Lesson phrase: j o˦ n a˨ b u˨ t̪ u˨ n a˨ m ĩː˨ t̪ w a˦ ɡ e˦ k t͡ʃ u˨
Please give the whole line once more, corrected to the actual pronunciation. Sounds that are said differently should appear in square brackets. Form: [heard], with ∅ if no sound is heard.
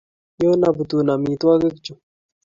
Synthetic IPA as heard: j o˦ n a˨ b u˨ t̪ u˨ n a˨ m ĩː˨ t̪ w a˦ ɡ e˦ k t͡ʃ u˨